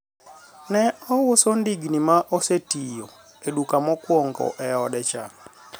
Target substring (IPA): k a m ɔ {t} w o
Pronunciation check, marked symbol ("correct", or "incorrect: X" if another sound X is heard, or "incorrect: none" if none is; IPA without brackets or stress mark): incorrect: k